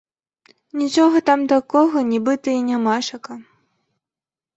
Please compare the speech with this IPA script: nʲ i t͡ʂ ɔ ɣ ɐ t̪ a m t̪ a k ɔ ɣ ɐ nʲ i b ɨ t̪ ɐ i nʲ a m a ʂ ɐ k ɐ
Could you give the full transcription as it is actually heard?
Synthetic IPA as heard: nʲ i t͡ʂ ɔ ɣ ɐ t̪ a m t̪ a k ɔ ɣ ɐ nʲ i b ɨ t̪ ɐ i nʲ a m a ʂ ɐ k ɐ

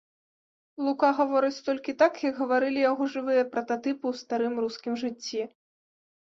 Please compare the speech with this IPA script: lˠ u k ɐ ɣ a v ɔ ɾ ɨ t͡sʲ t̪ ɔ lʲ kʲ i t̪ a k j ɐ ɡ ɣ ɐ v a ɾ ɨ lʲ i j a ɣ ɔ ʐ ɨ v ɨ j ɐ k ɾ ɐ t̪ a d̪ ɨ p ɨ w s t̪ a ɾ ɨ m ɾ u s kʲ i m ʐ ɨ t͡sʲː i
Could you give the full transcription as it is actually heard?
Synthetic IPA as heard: lˠ u k a ɣ a v ɔ ɾ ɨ t͡sʲ t̪ ɔ lʲ kʲ i t̪ a k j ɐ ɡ ɣ ɐ v a ɾ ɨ lʲ i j a ɣ ɔ ʐ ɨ v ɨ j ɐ p ɾ ɐ t̪ a t̪ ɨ p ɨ w s t̪ a ɾ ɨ m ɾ u s kʲ i m ʐ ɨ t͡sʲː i

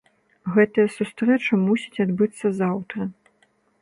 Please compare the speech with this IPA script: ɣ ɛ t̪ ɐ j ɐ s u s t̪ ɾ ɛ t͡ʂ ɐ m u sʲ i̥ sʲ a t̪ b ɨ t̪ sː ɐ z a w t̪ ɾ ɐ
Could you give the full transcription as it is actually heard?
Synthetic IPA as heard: ɣ ɛ t̪ ɐ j ɐ s u s t̪ ɾ ɛ t͡ʂ ɐ m u sʲ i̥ t͡sʲ a d̪ b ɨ t̪ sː ɐ z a w t̪ ɾ ɐ

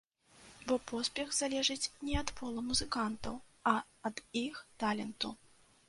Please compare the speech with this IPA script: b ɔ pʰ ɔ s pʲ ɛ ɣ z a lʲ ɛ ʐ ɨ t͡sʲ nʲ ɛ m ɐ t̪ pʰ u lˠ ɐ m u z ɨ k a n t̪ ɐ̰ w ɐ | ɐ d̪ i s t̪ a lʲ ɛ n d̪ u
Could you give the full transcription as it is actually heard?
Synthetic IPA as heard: b ɔ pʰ ɔ s pʲ ɛ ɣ z a lʲ ɛ ʐ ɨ t͡sʲ nʲ ɛ ɐ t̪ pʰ ɔ lˠ ɐ m u z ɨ k a n t̪ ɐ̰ w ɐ | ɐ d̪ i x t̪ a lʲ ɛ n t̪ u

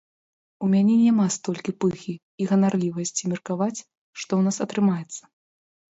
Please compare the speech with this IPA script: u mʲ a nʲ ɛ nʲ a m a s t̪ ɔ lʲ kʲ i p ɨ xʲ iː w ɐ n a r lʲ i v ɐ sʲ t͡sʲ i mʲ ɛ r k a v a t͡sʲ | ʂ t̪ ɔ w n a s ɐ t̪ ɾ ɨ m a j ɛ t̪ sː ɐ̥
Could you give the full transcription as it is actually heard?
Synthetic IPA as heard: u mʲ a nʲ ɛ nʲ a m a s t̪ ɔ lʲ kʲ i p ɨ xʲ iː ɣ ɐ n a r lʲ i v ɐ sʲ t͡sʲ i mʲ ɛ r k a v a t͡sʲ | ʂ t̪ ɔ w n a s ɐ t̪ ɾ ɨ m a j ɛ t̪ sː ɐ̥

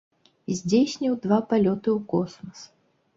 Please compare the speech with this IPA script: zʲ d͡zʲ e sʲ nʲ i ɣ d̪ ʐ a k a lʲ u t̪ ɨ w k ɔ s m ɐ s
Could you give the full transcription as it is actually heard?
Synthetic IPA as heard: zʲ d͡zʲ e sʲ nʲ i w d̪ v a p a lʲ ɔ t̪ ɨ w k ɔ s m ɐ s

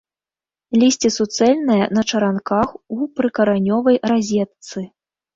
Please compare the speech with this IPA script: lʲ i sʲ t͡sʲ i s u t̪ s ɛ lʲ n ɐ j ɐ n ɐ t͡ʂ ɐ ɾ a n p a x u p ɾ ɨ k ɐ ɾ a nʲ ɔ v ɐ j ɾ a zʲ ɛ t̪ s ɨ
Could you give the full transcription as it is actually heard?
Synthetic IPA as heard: lʲ i sʲ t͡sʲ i s u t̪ s ɛ lʲ n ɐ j ɐ n ɐ t͡ʂ ɐ ɾ a n k a x u p ɾ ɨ k ɐ ɾ a nʲ ɔ v ɐ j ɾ a zʲ ɛ t̪ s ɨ

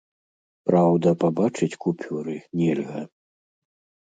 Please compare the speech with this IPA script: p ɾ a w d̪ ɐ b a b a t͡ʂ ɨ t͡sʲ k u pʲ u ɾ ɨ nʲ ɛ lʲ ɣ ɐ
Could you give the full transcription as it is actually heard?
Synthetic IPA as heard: p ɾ a w d̪ ɐ p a b a t͡ʂ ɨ t͡sʲ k u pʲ u ɾ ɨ nʲ ɛ lʲ ɣ ɐ

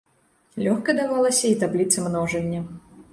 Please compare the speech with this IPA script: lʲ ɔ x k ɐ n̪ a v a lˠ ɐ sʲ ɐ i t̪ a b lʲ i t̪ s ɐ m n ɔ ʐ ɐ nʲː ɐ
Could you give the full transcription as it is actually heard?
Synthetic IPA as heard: lʲ ɔ x k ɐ d̪ a v a lˠ ɐ sʲ ɐ i t̪ a b lʲ i t̪ s ɐ m n ɔ ʐ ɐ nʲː ɐ

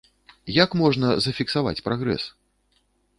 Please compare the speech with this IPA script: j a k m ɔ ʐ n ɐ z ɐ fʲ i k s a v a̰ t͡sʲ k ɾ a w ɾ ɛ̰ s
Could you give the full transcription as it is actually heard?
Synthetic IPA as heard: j a k m ɔ ʐ n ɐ z ɐ fʲ i k s a v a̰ t͡sʲ p ɾ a ɣ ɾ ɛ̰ s

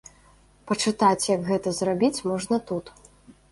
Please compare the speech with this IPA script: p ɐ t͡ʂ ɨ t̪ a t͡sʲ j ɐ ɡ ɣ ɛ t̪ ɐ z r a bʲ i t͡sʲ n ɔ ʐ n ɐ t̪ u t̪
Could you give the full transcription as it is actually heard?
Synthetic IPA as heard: p ɐ t͡ʂ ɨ t̪ a t͡sʲ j ɐ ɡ ɣ ɛ t̪ ɐ z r a bʲ i t͡sʲ m ɔ ʐ n ɐ t̪ u t̪

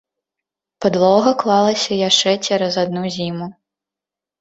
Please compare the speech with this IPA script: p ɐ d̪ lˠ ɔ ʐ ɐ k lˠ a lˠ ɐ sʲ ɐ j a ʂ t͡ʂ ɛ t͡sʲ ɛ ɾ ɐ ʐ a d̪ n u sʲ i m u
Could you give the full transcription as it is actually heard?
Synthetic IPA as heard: p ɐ d̪ lˠ ɔ ɣ ɐ k lˠ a lˠ ɐ sʲ ɐ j a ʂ t͡ʂ ɛ t͡sʲ ɛ ɾ ɐ z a d̪ n u zʲ i m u

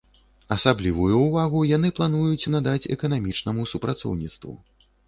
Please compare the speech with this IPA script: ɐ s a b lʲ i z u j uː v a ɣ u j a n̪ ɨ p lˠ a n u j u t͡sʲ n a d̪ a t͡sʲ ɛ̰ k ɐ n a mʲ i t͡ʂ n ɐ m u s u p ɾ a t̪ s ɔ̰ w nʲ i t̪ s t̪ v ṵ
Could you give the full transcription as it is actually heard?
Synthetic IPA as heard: ɐ s a b lʲ i v u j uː v a ɣ u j a n̪ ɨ p lˠ a n u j u t͡sʲ n a d̪ a t͡sʲ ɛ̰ k ɐ n a mʲ i t͡ʂ n ɐ m u s u p ɾ a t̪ s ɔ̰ w nʲ i t̪ s t̪ v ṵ

